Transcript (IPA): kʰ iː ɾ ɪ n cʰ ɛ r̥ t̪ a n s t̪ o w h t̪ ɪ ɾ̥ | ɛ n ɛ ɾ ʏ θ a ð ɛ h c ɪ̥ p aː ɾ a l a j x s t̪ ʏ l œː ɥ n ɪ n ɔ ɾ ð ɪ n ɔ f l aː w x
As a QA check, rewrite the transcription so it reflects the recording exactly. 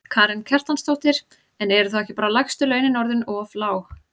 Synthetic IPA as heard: kʰ aː ɾ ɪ n cʰ ɛ r̥ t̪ a n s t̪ o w h t̪ ɪ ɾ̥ | ɛ n ɛ ɾ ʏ θ a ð ɛ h c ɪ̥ p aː ɾ a l a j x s t̪ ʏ l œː ɥ n ɪ n ɔ ɾ ð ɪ n ɔ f l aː w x